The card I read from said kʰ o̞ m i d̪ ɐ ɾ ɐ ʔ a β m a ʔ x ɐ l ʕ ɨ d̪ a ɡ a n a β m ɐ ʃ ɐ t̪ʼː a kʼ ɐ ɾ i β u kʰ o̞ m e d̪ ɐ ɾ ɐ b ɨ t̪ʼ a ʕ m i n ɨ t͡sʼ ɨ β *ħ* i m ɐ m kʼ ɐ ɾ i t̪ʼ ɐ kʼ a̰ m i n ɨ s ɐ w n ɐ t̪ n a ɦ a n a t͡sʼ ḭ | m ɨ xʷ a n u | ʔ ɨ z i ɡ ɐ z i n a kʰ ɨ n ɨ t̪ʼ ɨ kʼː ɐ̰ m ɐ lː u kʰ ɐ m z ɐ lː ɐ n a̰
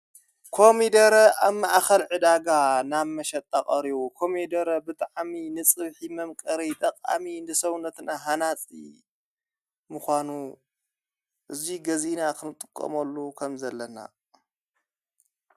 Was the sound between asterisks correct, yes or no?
yes